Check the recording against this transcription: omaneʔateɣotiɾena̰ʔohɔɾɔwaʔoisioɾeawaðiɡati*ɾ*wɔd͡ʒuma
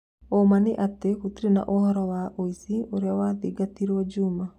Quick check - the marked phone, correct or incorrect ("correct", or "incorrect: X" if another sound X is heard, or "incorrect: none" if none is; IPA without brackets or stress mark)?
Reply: correct